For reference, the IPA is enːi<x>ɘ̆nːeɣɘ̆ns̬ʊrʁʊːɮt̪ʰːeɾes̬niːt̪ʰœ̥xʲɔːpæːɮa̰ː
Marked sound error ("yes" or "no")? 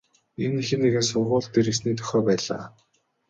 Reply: no